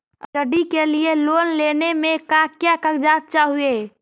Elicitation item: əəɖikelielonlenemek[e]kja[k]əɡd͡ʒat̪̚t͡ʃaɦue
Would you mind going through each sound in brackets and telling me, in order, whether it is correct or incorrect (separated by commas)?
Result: incorrect, correct